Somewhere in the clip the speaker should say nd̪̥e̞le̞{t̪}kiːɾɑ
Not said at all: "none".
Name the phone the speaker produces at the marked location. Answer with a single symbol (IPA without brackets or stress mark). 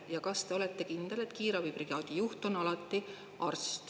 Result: t̪